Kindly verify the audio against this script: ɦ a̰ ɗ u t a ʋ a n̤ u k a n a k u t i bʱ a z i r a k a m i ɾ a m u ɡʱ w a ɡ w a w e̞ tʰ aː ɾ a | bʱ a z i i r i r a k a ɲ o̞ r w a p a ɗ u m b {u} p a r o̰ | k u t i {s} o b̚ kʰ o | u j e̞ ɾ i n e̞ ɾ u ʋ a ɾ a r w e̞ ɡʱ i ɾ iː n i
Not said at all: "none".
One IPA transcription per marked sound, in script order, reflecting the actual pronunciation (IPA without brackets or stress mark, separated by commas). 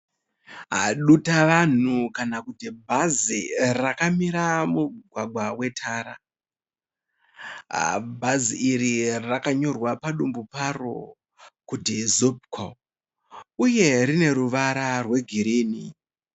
u, z